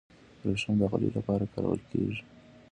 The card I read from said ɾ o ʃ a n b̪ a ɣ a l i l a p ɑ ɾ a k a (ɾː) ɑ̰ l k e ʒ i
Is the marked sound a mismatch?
yes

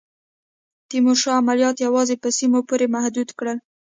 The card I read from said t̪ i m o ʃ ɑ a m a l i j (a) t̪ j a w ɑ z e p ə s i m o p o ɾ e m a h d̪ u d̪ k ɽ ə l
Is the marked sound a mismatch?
yes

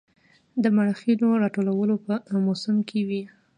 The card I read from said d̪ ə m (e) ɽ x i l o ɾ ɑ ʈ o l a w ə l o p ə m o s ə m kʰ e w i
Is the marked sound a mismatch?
yes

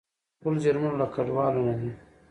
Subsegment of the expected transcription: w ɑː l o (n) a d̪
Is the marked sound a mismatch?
no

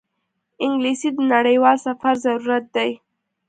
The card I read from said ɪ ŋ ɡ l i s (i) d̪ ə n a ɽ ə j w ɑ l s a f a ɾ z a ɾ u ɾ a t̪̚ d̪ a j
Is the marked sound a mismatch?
no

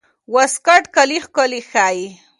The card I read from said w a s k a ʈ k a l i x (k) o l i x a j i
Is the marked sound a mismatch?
no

